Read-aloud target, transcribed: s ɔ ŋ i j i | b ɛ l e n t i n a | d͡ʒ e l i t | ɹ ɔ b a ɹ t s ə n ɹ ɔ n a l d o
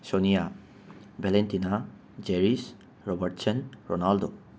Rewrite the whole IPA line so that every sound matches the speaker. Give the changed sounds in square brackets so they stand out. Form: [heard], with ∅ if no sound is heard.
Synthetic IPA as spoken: s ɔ [n] i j [a] | b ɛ l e n t i n a | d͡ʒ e [ɹ] i [s] | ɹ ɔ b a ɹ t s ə n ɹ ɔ n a l d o